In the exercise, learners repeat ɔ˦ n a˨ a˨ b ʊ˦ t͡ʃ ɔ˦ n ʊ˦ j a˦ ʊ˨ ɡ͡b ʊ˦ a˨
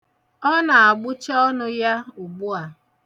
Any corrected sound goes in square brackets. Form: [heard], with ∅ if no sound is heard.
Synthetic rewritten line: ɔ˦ n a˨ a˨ [ɡ͡b] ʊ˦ t͡ʃ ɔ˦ n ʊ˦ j a˦ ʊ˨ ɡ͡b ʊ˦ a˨

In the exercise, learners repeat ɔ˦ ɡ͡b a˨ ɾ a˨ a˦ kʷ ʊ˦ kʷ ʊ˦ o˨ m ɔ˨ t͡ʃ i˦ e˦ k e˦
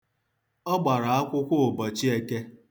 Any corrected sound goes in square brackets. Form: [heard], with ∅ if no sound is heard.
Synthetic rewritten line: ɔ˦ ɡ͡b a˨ ɾ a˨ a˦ kʷ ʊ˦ kʷ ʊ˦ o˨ [b] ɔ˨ t͡ʃ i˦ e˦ k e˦

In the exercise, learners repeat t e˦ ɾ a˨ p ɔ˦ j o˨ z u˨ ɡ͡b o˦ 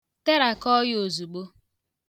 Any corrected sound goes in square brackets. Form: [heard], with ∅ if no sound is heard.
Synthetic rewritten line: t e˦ ɾ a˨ [k] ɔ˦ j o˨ z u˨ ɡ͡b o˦

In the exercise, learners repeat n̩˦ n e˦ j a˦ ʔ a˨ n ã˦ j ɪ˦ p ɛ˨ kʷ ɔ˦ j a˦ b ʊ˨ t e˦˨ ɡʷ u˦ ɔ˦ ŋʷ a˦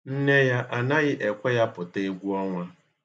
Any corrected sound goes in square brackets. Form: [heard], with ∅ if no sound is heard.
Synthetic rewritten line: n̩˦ n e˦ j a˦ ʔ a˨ n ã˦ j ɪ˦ [ʔ] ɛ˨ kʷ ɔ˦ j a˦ [p] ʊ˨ t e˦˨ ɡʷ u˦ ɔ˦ ŋʷ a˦

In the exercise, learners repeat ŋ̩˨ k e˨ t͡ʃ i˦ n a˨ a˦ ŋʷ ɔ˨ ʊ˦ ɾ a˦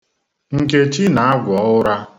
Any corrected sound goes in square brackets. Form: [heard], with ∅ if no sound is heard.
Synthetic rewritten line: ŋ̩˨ k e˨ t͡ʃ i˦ n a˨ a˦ [ɡʷ] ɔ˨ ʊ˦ ɾ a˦

